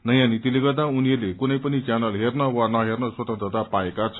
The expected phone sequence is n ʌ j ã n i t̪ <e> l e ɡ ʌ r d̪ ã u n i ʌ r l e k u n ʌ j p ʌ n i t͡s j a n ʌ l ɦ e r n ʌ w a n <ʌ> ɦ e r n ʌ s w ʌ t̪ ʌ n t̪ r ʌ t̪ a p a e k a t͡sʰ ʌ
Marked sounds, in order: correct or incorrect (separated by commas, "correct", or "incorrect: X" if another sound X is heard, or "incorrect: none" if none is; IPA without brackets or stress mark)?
incorrect: i, correct